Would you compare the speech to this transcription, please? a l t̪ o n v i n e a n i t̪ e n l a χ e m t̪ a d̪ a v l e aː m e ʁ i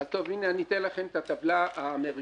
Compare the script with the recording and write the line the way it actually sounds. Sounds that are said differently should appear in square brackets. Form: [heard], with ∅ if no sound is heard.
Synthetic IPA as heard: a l t̪ o [∅] v i n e a n i t̪ e n l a χ e m t̪ a [t̪] a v l [a] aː m e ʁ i